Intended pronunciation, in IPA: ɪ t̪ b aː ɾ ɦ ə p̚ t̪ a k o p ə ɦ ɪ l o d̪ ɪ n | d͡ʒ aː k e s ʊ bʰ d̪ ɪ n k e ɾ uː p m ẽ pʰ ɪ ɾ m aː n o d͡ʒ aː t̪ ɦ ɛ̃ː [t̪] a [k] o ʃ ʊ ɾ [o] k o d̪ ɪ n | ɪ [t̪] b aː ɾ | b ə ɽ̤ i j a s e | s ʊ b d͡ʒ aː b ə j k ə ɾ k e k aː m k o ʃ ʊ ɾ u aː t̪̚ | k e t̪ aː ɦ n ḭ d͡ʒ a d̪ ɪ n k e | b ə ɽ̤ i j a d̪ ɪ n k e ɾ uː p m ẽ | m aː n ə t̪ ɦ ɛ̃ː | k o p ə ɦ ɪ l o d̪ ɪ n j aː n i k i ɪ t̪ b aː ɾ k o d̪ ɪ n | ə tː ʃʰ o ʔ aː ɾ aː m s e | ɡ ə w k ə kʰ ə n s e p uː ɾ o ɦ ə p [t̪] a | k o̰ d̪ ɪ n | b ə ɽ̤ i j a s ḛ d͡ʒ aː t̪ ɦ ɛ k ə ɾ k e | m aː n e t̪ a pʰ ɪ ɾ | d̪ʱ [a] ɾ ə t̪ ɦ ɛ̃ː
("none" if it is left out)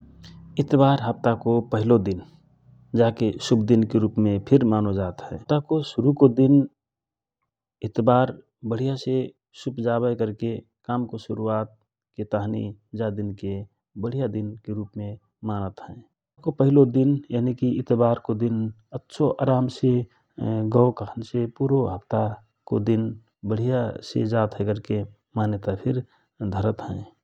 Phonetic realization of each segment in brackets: t̪, k, u, t̪, t̪, ə

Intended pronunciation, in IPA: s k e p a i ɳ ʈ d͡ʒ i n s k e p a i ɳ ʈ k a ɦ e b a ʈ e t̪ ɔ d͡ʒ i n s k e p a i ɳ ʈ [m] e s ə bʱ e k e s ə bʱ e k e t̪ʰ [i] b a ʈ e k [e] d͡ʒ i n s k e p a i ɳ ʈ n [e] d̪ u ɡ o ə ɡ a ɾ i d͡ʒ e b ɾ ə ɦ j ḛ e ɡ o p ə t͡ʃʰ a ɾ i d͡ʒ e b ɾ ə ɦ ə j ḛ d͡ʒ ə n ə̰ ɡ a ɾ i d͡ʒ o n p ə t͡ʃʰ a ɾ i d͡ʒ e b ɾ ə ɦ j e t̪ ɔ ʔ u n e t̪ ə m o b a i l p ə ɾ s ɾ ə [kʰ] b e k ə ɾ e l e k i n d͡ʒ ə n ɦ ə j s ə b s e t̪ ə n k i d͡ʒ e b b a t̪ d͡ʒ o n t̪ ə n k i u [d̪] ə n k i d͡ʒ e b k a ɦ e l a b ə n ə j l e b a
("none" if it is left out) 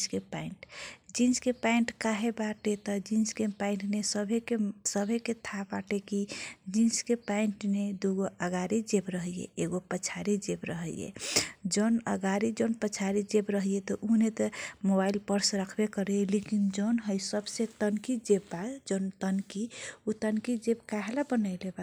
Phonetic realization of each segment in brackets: n, a, i, e, kʰ, t̪

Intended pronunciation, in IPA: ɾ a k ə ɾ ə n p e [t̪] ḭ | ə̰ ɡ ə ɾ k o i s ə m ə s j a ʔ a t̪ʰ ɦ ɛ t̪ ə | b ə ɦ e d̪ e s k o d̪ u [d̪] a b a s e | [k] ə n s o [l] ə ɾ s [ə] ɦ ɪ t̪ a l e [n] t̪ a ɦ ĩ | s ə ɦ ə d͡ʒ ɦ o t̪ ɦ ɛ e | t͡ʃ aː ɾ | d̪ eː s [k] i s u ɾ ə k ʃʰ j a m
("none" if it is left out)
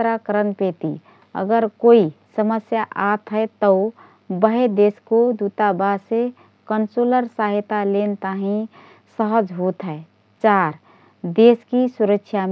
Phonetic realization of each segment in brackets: t̪, t̪, k, l, a, n, k

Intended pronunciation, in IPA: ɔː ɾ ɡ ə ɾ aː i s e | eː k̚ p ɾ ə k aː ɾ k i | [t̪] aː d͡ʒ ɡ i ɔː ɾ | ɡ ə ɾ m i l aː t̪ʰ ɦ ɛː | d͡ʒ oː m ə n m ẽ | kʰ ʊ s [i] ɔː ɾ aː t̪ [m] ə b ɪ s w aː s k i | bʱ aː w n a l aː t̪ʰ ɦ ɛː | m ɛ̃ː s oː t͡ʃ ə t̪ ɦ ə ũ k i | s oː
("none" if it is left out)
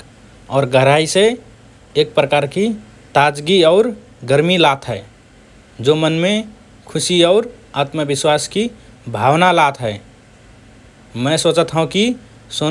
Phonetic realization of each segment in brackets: t̪, i, m

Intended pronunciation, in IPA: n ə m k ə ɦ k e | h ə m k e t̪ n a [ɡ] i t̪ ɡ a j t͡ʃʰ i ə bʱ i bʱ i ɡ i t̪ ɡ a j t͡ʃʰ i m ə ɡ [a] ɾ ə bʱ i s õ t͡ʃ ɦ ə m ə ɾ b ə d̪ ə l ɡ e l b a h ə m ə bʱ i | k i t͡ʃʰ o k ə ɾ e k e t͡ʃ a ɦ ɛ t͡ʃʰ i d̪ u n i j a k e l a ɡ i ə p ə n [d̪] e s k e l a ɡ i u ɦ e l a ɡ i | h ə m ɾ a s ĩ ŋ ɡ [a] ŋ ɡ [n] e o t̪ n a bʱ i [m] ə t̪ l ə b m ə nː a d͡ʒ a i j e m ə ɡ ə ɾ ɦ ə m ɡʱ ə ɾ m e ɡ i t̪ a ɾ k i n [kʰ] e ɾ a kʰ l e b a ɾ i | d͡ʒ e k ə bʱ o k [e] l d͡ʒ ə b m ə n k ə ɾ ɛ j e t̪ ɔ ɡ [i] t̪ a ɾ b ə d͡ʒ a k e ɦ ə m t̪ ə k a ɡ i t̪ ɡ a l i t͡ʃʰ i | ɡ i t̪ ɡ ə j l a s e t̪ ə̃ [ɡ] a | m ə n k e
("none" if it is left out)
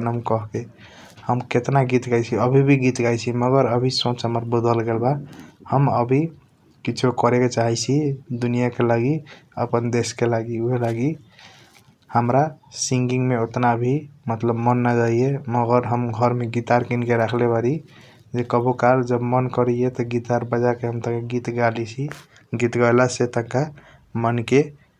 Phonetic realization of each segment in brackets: ɡ, ə, d̪, i, m, m, k, a, i, k

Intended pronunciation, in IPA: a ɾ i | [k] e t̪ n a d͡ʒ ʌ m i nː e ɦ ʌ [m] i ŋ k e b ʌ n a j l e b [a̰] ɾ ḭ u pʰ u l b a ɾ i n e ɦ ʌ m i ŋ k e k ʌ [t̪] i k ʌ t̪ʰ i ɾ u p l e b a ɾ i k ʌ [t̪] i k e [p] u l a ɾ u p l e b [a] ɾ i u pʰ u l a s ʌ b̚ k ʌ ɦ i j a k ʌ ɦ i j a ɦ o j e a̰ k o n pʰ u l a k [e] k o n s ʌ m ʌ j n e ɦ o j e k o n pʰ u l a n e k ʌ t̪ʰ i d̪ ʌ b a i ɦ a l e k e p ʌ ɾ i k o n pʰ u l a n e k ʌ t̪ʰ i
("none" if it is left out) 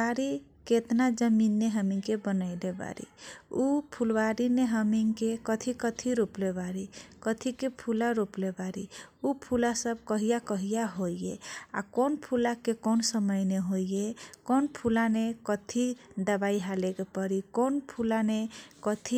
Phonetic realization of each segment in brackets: k, m, a̰, t̪ʰ, t̪ʰ, pʰ, a, e

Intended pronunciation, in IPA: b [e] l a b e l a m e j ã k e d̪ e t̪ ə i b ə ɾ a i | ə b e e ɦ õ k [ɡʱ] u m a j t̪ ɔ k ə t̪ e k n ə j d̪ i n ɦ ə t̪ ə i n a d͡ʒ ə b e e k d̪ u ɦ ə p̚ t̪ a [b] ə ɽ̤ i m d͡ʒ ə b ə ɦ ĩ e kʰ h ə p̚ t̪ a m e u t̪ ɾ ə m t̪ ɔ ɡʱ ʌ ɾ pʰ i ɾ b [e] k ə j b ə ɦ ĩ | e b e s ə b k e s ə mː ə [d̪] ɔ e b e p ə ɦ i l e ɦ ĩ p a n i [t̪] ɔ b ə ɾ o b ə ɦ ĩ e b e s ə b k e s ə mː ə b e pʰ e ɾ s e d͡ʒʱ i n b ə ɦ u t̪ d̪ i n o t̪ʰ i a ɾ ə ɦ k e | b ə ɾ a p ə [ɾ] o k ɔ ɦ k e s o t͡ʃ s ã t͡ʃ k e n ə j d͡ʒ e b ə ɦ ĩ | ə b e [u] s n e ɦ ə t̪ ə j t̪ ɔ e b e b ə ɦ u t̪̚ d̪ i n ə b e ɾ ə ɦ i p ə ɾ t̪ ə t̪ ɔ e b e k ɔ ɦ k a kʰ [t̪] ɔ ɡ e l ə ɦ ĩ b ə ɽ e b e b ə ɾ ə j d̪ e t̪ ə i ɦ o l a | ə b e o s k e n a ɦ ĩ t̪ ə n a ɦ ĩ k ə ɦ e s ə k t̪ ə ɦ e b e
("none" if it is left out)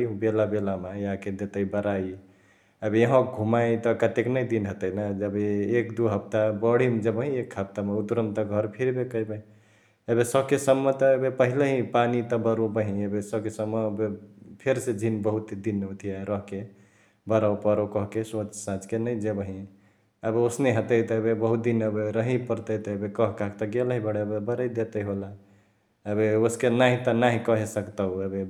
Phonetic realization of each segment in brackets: e, ɡʱ, b, e, t̪, t̪, ɾ, o, t̪

